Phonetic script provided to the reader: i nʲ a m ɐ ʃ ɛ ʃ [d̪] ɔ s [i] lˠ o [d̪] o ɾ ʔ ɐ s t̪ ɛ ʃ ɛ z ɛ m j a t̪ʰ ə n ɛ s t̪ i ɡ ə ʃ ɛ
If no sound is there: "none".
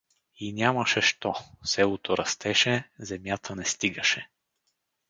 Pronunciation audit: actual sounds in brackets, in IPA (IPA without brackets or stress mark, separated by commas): t̪, ɛ, t̪